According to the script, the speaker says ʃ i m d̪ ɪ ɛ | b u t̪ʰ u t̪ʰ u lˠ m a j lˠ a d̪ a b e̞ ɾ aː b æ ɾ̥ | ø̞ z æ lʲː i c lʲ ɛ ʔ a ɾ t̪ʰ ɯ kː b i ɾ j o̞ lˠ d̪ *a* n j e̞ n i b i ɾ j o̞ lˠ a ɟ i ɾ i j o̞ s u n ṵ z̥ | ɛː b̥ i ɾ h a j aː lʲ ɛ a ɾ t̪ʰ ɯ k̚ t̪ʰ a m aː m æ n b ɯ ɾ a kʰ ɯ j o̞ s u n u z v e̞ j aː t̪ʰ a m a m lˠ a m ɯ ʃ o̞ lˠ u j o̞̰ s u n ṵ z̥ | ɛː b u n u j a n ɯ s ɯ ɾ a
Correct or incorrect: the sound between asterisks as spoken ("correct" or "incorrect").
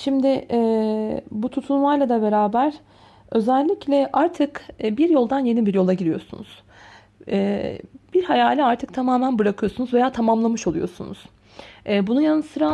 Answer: correct